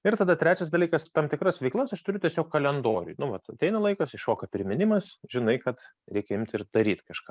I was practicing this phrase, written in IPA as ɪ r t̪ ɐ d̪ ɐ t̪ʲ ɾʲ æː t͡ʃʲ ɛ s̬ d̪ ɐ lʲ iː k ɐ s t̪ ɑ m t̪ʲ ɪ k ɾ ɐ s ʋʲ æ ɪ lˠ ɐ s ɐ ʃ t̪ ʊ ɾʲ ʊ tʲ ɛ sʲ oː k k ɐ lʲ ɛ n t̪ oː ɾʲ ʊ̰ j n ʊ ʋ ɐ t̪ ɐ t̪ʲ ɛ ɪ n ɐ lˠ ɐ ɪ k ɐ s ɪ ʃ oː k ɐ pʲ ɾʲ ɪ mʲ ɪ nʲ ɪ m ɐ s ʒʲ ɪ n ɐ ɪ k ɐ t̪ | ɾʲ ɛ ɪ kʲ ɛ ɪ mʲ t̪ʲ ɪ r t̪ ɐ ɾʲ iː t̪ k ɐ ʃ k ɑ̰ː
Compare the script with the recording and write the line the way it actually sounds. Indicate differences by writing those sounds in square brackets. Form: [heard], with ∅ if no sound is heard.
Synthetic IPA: ɪ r t̪ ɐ d̪ ɐ t̪ʲ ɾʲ æː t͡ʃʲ ɛ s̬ d̪ ɐ lʲ iː k ɐ s t̪ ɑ m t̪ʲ ɪ k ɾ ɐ s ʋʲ [ɛ] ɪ lˠ ɐ s ɐ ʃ t̪ ʊ ɾʲ ʊ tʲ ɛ sʲ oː k k ɐ lʲ ɛ n [d̪] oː ɾʲ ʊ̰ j n ʊ ʋ ɐ t̪ ɐ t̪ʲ ɛ ɪ n ɐ lˠ ɐ ɪ k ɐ s ɪ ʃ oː k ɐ pʲ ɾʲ ɪ mʲ ɪ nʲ ɪ m ɐ s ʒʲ ɪ n ɐ ɪ k ɐ t̪ | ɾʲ ɛ ɪ kʲ ɛ ɪ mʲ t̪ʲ ɪ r [d̪] ɐ ɾʲ iː t̪ k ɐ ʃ k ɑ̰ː